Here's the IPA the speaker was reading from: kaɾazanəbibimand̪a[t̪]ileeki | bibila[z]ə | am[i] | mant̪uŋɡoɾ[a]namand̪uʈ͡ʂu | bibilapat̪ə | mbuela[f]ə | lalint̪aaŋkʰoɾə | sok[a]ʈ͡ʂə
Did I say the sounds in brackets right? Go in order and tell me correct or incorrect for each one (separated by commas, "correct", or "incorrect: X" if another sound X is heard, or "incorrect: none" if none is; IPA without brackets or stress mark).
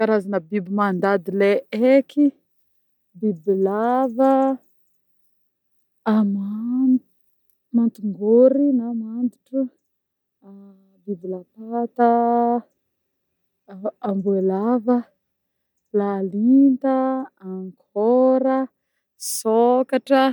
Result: incorrect: d̪, incorrect: v, incorrect: a, incorrect: i, incorrect: v, correct